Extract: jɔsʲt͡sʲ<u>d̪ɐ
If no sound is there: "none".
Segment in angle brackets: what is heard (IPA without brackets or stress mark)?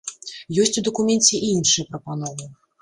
u